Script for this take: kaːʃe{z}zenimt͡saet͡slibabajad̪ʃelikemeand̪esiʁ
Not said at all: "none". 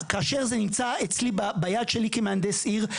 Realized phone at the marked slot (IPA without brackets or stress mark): ʁ